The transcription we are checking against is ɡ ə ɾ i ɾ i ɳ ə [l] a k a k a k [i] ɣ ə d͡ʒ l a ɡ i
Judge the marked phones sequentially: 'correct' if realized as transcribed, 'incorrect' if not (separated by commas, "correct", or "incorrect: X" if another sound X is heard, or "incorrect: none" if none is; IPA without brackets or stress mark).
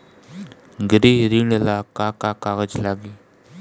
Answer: correct, incorrect: a